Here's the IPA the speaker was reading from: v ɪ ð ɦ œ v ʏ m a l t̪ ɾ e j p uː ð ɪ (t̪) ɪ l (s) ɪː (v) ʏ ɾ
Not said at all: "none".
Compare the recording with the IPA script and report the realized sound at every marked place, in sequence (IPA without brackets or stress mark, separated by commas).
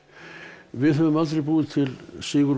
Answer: t̪ʰ, s, ɣ